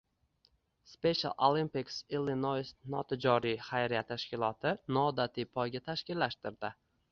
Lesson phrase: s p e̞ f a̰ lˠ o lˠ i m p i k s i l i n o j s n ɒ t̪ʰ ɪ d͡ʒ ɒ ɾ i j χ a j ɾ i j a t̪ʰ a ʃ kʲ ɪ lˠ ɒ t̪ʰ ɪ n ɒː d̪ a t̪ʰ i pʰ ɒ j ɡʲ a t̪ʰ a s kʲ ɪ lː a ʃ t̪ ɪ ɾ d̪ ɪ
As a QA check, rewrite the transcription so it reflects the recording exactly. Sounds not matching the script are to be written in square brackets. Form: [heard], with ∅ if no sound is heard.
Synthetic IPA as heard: s p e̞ [ʃ] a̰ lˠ o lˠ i m p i k s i l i n o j s n ɒ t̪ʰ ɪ d͡ʒ ɒ ɾ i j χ a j ɾ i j a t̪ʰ a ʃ kʲ ɪ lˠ ɒ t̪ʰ ɪ n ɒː d̪ a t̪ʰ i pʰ ɒ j ɡʲ a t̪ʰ a [ʃ] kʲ ɪ lː a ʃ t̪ ɪ ɾ d̪ ɪ